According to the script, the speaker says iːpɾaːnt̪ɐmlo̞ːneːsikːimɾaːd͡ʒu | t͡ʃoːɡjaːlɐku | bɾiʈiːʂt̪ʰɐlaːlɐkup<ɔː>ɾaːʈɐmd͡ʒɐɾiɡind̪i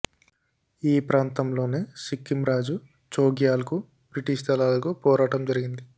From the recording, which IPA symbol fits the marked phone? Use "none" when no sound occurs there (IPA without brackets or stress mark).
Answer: ɔː